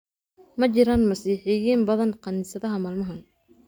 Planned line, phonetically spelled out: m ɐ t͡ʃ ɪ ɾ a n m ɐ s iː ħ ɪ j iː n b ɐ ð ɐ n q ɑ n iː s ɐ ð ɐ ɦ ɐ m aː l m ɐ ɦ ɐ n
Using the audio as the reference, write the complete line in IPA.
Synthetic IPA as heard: m ɐ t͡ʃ ɪ ɾ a n m ɐ s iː ħ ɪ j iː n b ɐ ð ɐ n q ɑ n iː s ɐ ð ɐ ɦ ɐ m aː l m ɐ ɦ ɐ n